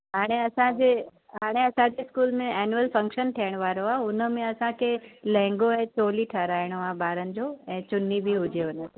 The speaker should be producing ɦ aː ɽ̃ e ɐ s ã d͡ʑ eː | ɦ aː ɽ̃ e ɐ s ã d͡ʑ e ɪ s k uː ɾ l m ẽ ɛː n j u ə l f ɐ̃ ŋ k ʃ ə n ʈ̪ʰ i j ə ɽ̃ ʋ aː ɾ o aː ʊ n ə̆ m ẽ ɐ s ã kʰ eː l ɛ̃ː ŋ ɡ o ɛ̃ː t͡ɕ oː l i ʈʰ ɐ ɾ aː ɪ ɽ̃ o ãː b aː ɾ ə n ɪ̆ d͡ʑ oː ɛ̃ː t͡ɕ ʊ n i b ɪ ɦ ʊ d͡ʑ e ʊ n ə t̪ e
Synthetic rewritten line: ɦ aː ɽ̃ e ɐ s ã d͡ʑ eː | ɦ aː ɽ̃ e ɐ s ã d͡ʑ e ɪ s k uː l m ẽ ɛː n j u ə l f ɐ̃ ŋ k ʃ ə n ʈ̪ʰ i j ə ɽ̃ ʋ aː ɾ o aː ʊ n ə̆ m ẽ ɐ s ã kʰ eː l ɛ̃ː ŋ ɡ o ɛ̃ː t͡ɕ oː l i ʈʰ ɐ ɾ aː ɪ ɽ̃ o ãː b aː ɾ ə n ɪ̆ d͡ʑ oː ɛ̃ː t͡ɕ ʊ n i b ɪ ɦ ʊ d͡ʑ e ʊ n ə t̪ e